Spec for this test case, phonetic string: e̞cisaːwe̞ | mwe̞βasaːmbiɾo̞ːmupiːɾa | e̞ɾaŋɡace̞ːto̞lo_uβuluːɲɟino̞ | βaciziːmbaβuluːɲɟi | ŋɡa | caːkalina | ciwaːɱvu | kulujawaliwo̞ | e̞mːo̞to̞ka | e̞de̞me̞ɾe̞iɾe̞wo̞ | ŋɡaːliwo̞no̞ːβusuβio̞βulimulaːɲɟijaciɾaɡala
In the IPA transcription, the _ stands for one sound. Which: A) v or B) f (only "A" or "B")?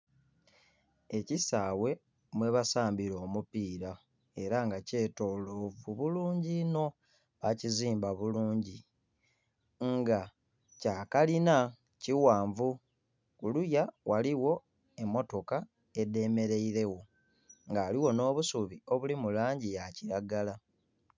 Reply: A